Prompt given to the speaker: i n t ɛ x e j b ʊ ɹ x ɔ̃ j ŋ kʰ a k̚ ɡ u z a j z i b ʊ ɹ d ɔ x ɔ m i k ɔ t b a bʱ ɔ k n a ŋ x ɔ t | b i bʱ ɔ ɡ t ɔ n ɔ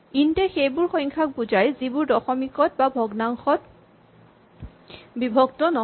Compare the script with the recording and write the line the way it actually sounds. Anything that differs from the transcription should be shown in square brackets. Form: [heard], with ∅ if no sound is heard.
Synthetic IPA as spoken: i n t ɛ x e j b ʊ ɹ x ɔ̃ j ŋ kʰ a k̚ [b] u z a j z i b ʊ ɹ d ɔ x ɔ m i k ɔ t b a bʱ ɔ [ɡ] n a ŋ x ɔ t | b i bʱ ɔ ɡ t ɔ n ɔ

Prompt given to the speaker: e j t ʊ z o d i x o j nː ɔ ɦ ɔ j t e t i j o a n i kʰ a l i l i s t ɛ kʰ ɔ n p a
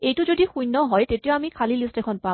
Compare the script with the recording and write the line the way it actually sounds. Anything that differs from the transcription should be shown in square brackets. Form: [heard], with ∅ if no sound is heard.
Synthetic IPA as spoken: e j t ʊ z o d i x [u] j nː ɔ ɦ ɔ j t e t i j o a [m] i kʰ a l i l i s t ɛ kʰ ɔ n p a

